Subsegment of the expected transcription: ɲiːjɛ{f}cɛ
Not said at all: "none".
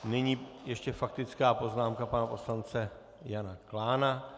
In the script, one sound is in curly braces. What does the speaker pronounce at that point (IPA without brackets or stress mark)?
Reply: ʃ